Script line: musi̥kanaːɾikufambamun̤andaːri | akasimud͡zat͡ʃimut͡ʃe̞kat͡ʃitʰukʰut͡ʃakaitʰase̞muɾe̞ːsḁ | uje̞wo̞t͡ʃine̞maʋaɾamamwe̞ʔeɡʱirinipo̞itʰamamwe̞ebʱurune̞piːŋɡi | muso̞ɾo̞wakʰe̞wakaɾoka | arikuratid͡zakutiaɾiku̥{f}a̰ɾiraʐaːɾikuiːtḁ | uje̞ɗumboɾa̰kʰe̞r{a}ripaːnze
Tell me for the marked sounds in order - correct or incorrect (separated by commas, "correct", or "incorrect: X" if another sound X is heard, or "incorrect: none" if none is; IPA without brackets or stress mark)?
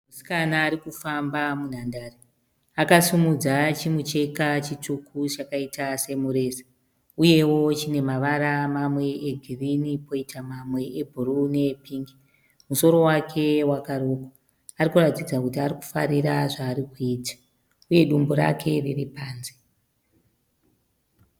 correct, incorrect: i